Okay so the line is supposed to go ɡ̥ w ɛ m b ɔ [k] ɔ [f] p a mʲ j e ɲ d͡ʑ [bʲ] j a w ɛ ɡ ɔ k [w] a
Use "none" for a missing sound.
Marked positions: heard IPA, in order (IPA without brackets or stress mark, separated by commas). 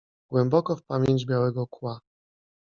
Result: k, f, bʲ, w